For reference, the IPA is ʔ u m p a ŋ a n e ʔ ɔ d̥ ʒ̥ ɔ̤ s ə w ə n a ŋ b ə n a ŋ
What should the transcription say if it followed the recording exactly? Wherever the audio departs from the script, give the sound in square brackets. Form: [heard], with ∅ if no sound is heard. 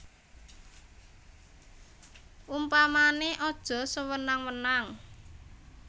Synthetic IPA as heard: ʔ u m p a [m] a n e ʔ ɔ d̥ ʒ̥ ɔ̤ s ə w ə n a ŋ [w] ə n a ŋ